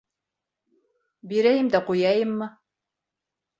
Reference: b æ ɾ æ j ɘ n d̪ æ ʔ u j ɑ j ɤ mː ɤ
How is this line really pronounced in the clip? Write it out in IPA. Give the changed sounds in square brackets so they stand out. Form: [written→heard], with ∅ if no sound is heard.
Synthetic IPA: b [æ→i] ɾ æ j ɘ [n→m] d̪ æ [ʔ→q] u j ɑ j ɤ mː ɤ

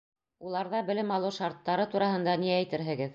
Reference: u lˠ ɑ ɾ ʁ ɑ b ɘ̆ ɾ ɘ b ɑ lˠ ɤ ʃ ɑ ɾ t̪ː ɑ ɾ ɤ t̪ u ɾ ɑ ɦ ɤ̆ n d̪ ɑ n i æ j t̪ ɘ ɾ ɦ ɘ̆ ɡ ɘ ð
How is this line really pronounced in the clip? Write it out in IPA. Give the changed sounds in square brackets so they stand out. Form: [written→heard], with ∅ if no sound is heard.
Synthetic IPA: u lˠ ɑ ɾ [ʁ→ð] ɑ b ɘ̆ [ɾ→l] ɘ [b→m] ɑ lˠ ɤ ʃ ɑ ɾ t̪ː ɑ ɾ ɤ t̪ u ɾ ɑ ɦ ɤ̆ n d̪ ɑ n i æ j t̪ ɘ ɾ ɦ ɘ̆ ɡ ɘ ð

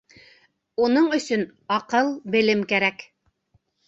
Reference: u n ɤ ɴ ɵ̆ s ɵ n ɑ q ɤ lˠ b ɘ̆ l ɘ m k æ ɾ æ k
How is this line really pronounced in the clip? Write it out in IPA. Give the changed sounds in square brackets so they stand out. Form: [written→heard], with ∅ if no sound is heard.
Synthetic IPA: u n ɤ ɴ ɵ̆ s ɵ n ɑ q ɤ lˠ b ɘ̆ l ɘ m k æ ɾ æ k

